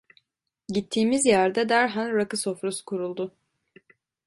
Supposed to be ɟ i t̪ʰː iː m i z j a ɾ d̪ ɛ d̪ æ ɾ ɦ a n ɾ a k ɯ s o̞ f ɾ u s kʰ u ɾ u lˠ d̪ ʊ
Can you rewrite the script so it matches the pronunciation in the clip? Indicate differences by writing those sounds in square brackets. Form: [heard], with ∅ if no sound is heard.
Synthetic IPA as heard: ɟ i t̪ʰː iː m i z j [æ] ɾ d̪ ɛ d̪ æ ɾ ɦ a n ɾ a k ɯ s o̞ f ɾ u s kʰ u ɾ u lˠ d̪ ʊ

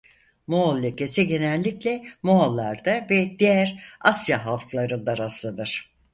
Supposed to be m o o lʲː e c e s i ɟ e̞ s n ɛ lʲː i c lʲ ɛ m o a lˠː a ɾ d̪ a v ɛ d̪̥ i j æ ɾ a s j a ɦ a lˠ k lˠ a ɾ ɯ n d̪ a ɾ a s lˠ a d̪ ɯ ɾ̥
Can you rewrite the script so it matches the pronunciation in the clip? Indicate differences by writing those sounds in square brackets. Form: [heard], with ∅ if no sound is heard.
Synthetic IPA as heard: m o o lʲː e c e s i ɟ e̞ [∅] n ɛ lʲː i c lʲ ɛ m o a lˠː a ɾ d̪ a v ɛ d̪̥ i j æ ɾ a s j a ɦ a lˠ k lˠ a ɾ ɯ n d̪ a ɾ a s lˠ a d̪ ɯ ɾ̥

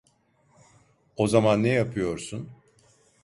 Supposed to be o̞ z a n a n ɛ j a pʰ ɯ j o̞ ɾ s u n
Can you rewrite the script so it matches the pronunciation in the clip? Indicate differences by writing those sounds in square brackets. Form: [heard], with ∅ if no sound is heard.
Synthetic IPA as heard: o̞ z a [m] a [nː] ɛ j a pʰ ɯ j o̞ ɾ s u n

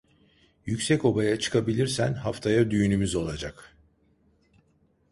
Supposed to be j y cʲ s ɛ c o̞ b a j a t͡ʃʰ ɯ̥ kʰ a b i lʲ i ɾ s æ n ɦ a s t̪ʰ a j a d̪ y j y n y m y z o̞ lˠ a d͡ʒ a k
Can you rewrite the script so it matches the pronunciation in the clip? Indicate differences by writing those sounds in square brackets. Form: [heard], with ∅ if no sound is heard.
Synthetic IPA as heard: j y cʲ s ɛ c o̞ b a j a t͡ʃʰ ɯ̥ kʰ a b i lʲ i ɾ s æ n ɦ a [f] t̪ʰ a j a d̪ y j y n y m y z o̞ lˠ a d͡ʒ a k

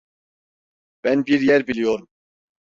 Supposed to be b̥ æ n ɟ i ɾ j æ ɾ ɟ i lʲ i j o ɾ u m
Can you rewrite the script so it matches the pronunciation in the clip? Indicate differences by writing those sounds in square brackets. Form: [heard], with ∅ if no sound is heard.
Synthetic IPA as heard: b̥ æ n [b] i ɾ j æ ɾ [b] i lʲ i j o ɾ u m

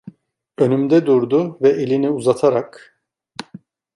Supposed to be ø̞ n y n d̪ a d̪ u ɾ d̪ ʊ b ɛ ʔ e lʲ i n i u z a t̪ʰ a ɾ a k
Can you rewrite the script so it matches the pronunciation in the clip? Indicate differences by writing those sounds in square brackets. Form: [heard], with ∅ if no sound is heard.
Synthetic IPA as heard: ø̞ n y [m] d̪ [ɛ] d̪ u ɾ d̪ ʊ [v] ɛ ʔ e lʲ i n i u z a t̪ʰ a ɾ a k

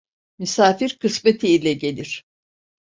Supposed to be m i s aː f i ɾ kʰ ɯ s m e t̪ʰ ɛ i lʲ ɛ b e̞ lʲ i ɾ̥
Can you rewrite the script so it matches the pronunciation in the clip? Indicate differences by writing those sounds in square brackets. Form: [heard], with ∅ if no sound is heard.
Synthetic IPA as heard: m [y] s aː f i ɾ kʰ ɯ s m e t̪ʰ [i] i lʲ ɛ [ɟ] e̞ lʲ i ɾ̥

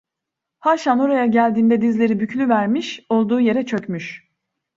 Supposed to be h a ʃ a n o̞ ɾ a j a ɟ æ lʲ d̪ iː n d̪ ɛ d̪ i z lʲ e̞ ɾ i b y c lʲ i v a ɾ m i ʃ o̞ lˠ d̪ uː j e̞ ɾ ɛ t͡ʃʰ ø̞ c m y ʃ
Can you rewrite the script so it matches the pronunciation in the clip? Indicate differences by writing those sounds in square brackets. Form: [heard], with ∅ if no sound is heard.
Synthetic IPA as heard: h a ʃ a n o̞ ɾ a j a ɟ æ lʲ d̪ iː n d̪ ɛ d̪ i z lʲ e̞ ɾ i b y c lʲ [y] v [æ] ɾ m i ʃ o̞ lˠ d̪ uː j e̞ ɾ ɛ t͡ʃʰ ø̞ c m y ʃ

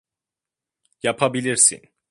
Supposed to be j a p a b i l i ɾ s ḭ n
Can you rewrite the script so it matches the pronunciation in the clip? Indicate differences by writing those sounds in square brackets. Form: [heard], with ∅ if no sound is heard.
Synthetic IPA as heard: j a [pʰ] a b i l i ɾ s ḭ n

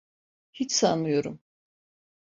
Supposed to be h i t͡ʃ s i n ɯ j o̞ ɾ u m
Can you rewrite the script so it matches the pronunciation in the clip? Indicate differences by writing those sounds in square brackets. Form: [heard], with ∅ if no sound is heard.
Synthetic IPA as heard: h i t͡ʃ s [a] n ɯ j o̞ ɾ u m

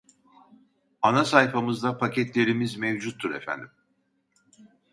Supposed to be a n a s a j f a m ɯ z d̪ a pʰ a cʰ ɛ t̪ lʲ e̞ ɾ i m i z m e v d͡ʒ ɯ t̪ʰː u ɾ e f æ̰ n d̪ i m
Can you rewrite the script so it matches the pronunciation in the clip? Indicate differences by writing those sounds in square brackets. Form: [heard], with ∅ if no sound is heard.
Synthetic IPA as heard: a n a s a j f a m ɯ z d̪ a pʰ a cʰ ɛ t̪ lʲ e̞ ɾ i m i z m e v d͡ʒ [u] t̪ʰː u ɾ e f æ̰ n d̪ i m

